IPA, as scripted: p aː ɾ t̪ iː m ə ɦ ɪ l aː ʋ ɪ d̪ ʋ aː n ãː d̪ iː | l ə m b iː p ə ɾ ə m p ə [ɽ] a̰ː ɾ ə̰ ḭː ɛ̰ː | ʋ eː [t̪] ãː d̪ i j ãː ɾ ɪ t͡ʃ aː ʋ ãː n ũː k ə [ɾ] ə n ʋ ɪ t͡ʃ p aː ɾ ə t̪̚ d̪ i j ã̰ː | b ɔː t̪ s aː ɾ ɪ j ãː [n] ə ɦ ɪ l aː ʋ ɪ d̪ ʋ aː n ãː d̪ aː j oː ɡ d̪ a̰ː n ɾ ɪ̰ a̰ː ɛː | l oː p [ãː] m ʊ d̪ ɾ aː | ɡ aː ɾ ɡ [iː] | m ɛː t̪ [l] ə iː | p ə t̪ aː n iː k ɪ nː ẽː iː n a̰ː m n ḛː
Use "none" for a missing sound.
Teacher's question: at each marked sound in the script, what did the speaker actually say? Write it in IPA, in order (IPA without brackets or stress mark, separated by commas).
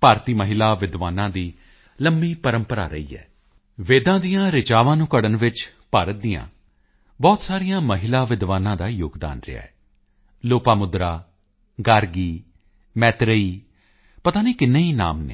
ɾ, d̪, ɽ, m, aː, iː, ɾ